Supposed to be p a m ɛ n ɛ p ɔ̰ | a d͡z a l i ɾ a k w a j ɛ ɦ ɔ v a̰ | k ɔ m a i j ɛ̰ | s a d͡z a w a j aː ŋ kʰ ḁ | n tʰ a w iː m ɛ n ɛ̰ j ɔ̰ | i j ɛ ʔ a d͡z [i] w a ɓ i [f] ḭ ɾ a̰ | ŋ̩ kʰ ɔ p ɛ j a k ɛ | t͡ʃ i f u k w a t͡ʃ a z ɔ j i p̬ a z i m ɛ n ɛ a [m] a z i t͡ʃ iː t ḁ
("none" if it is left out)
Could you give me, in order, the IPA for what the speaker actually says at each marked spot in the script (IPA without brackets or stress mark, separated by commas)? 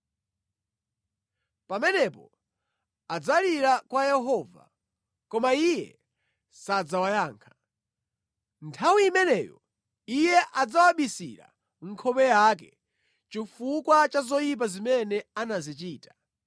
a, s, n